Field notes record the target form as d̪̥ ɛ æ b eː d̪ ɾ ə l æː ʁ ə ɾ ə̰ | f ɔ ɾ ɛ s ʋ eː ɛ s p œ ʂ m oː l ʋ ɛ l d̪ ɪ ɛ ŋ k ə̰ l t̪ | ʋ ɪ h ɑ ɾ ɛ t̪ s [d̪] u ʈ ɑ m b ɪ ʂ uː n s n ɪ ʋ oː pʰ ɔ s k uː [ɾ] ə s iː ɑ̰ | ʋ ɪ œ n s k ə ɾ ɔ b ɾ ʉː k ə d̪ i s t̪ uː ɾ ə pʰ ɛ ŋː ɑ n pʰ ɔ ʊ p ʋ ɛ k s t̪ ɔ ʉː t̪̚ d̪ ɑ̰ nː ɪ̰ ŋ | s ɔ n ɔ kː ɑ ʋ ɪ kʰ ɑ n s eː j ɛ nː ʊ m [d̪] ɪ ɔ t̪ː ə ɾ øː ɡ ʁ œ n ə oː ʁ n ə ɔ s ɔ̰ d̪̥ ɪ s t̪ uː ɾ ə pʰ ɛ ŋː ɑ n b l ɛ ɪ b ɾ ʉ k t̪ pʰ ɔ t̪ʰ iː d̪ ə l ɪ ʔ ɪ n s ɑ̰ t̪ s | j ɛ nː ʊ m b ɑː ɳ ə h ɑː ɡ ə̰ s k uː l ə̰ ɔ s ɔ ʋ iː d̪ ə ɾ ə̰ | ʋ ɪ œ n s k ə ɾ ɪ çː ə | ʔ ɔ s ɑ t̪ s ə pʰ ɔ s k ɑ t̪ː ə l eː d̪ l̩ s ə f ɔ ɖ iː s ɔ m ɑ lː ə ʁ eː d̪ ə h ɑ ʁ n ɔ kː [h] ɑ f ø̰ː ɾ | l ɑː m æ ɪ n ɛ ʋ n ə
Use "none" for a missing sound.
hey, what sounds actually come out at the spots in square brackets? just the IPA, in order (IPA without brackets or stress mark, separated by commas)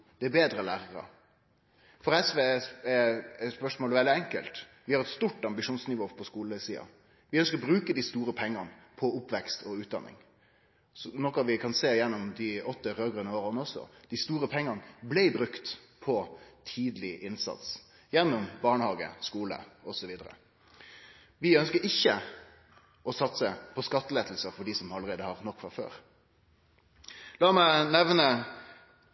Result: t̪, l, d̪, f